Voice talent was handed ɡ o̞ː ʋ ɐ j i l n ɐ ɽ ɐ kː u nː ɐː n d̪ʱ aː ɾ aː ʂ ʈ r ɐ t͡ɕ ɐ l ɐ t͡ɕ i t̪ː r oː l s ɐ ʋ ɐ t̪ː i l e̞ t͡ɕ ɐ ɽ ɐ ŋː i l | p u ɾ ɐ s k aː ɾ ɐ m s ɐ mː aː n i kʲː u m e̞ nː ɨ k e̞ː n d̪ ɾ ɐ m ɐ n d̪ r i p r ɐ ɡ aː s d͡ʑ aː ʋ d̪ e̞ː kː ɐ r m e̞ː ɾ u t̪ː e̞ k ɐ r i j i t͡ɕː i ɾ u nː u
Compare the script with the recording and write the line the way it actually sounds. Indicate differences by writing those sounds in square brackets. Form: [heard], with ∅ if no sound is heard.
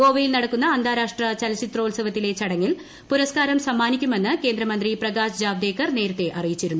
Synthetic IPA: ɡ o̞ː ʋ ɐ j i l n ɐ ɽ ɐ kː u nː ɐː n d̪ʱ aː ɾ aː ʂ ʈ r ɐ t͡ɕ ɐ l ɐ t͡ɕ i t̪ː r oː l s ɐ ʋ ɐ t̪ː i l e̞ t͡ɕ ɐ ɽ ɐ ŋː i l | p u ɾ ɐ s k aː ɾ ɐ m s ɐ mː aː n i kʲː u m e̞ nː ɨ k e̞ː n d̪ ɾ ɐ m ɐ n d̪ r i p r ɐ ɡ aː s d͡ʑ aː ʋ d̪ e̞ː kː ɐ r [n] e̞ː ɾ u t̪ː e̞ [ʔ] ɐ r i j i t͡ɕː i ɾ u nː u